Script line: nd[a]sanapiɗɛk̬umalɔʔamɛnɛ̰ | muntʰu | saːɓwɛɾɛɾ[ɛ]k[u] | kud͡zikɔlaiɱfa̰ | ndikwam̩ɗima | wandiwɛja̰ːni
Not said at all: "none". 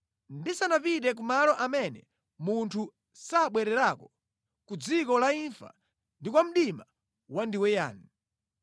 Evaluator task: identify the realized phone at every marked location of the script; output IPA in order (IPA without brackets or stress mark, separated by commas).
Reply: i, a, ɔ